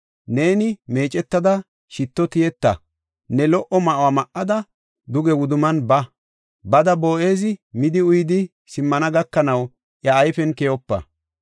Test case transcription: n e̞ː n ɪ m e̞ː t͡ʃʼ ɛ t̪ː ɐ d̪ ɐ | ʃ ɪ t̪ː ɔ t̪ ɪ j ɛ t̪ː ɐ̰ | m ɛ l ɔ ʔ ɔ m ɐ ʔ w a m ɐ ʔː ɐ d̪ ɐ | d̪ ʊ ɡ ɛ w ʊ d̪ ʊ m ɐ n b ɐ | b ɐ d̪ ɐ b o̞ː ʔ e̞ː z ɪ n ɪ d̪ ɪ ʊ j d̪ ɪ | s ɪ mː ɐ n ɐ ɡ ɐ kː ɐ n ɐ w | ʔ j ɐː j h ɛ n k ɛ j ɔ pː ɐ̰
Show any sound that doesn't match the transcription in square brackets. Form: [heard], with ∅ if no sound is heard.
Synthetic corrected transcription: n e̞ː n ɪ m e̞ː t͡ʃʼ ɛ t̪ː ɐ d̪ ɐ | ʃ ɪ t̪ː ɔ t̪ ɪ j ɛ t̪ː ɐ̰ | [n] ɛ l ɔ ʔ ɔ m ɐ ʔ w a m ɐ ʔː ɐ d̪ ɐ | d̪ ʊ ɡ ɛ w ʊ d̪ ʊ m ɐ n b ɐ | b ɐ d̪ ɐ b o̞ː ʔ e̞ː z ɪ [m] ɪ d̪ ɪ ʊ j d̪ ɪ | s ɪ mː ɐ n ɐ ɡ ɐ kː ɐ n ɐ w | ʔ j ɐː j [f] ɛ n k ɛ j ɔ pː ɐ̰